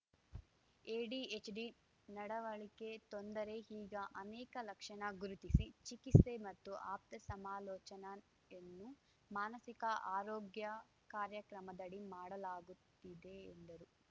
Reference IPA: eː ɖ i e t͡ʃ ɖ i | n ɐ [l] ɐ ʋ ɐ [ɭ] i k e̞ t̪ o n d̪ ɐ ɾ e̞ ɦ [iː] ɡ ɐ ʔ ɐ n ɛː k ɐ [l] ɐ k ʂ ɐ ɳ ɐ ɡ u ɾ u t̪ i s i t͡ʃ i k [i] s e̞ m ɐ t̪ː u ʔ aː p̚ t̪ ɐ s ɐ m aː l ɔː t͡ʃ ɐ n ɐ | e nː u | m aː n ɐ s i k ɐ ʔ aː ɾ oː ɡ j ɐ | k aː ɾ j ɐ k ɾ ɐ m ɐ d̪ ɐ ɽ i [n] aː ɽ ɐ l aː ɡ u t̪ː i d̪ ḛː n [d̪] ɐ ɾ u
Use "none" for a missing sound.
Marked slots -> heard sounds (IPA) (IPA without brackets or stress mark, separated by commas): ɽ, ɭ, iː, l, i, m, d̪